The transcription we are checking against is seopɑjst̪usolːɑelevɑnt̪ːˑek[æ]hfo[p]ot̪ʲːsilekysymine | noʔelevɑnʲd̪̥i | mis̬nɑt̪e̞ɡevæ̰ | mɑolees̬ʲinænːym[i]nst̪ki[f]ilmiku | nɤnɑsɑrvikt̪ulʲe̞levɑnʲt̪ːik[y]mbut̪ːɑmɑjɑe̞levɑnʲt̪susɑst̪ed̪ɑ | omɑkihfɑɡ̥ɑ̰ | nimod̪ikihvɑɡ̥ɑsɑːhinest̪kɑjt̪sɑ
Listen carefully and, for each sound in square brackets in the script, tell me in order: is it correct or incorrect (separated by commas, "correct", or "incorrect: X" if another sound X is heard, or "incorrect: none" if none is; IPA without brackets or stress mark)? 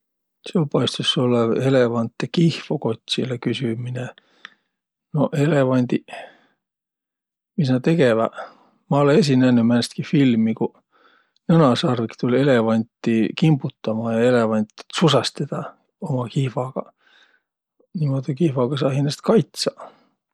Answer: incorrect: i, incorrect: k, incorrect: æ, correct, incorrect: i